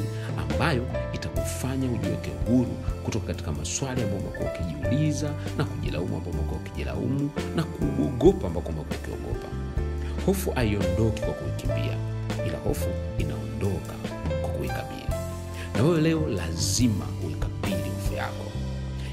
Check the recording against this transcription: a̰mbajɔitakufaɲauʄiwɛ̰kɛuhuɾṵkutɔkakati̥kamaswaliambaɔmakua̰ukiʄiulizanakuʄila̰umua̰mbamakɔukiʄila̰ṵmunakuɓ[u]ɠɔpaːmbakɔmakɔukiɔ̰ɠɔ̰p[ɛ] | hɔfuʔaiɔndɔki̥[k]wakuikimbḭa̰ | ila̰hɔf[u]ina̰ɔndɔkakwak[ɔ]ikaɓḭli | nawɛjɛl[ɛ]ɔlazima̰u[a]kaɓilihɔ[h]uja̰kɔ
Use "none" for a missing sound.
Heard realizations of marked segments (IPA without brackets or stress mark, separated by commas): ɔ, a, k, u, u, ɛ, i, f